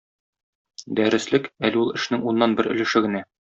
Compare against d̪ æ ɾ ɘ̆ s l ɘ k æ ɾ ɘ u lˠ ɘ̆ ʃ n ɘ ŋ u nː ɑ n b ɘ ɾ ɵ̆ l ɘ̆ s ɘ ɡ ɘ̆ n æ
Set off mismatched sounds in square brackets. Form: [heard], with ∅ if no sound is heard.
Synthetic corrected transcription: d̪ æ ɾ ɘ̆ s l ɘ k æ [l] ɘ u lˠ ɘ̆ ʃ n ɘ ŋ u nː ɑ n b ɘ ɾ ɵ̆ l ɘ̆ [ʃ] ɘ ɡ ɘ̆ n æ